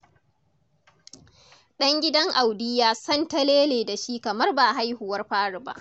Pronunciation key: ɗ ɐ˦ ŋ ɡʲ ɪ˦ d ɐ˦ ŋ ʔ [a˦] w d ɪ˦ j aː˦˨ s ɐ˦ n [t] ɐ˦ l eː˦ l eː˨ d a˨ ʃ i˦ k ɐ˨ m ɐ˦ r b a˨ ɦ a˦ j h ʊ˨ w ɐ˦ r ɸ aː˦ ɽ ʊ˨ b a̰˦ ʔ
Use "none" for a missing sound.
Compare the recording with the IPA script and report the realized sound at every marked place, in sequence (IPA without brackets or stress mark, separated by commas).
a˨, t